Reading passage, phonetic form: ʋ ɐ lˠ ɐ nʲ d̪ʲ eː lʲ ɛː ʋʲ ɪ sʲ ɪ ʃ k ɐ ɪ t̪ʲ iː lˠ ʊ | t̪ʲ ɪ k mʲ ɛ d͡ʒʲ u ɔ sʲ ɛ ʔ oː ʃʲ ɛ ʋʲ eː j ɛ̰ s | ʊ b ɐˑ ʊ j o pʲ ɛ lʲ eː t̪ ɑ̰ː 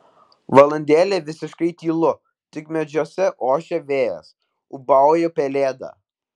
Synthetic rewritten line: ʋ ɐ lˠ ɐ nʲ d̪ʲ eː lʲ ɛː ʋʲ ɪ sʲ ɪ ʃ k ɐ ɪ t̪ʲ iː lˠ ʊ | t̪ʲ ɪ k mʲ ɛ d͡ʒʲ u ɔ sʲ ɛ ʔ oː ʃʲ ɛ ʋʲ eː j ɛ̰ s | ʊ b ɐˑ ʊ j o pʲ ɛ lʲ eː d̪ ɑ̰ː